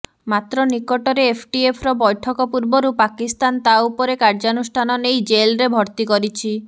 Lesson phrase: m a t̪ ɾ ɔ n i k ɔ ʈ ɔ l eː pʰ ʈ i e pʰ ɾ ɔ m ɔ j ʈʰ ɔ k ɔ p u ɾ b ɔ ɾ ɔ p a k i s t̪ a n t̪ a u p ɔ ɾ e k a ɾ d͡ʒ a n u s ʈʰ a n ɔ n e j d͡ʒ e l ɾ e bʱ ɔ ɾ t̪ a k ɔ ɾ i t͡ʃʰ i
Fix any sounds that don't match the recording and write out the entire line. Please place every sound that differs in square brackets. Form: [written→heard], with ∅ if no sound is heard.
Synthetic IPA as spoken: m a t̪ ɾ ɔ n i k ɔ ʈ ɔ [l→ɾ] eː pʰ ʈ i e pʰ ɾ ɔ [m→b] ɔ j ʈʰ ɔ k ɔ p u ɾ b ɔ ɾ [ɔ→u] p a k i s t̪ a n t̪ a u p ɔ ɾ e k a ɾ d͡ʒ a n u s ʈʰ a n ɔ n e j d͡ʒ e l ɾ e bʱ ɔ ɾ t̪ [a→i] k ɔ ɾ i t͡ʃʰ i